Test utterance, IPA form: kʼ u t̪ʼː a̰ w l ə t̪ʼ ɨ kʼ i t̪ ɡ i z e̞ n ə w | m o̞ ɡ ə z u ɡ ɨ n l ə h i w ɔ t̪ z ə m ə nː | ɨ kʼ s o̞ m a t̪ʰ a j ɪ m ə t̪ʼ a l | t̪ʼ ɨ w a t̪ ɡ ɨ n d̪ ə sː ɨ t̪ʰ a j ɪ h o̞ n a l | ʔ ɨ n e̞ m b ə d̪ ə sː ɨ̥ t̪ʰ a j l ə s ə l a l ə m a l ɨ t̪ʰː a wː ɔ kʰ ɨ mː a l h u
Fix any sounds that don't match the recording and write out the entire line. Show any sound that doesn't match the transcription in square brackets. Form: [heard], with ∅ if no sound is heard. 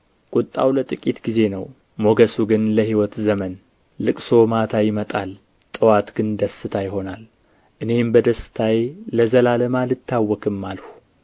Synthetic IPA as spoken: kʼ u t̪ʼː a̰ w l ə t̪ʼ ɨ kʼ i t̪ ɡ i z e̞ n ə w | m o̞ ɡ ə [s] u ɡ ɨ n l ə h i w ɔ t̪ z ə m ə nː | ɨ kʼ s o̞ m a t̪ʰ a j ɪ m ə t̪ʼ a l | t̪ʼ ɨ w a t̪ ɡ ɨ n d̪ ə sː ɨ t̪ʰ a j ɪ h o̞ n a l | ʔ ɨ n e̞ m b ə d̪ ə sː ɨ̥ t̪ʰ a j l ə [z] ə l a l ə m a l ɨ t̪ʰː a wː ɔ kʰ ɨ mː a l h u